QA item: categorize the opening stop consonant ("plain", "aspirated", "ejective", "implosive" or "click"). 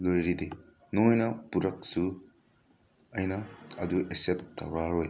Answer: plain